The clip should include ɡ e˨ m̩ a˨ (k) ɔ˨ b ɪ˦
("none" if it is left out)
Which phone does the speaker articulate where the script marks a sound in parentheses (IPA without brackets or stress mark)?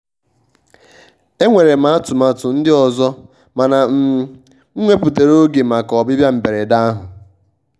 k